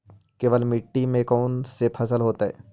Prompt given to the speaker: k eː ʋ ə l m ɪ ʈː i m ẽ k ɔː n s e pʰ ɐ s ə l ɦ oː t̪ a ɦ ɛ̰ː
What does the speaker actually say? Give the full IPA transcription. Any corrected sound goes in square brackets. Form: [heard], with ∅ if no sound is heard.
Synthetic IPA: k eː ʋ ə l m ɪ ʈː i m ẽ k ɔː n s e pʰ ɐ s ə l ɦ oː t̪ a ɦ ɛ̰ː